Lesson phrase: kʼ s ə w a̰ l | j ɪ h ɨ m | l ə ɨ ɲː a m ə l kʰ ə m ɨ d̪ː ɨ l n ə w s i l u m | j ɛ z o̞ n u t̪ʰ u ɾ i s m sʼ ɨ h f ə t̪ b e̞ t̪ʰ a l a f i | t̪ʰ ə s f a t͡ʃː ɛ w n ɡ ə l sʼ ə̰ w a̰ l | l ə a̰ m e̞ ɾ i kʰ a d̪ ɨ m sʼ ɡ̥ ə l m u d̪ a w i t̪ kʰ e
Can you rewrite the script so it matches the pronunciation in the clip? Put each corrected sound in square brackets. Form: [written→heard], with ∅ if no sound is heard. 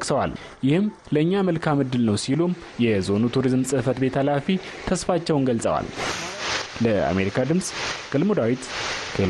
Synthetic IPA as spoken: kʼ s ə w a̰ l | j ɪ h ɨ m | l ə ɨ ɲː a m ə l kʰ [ə→a] m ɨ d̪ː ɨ l n ə w s i l u m | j ɛ z o̞ n u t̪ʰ u ɾ i [s→z] m sʼ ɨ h f ə t̪ b e̞ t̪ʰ a l a f i | t̪ʰ ə s f a t͡ʃː ɛ w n ɡ ə l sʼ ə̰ w a̰ l | l ə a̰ m e̞ ɾ i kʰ a d̪ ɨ m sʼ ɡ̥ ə l m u d̪ a w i t̪ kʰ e